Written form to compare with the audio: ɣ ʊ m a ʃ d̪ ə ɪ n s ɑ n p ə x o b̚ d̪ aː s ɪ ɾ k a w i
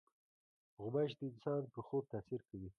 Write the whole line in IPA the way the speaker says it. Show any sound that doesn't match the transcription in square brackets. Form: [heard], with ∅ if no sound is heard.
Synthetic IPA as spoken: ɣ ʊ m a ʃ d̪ ə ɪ n s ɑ n p ə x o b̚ [t̪] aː s [i] ɾ k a w i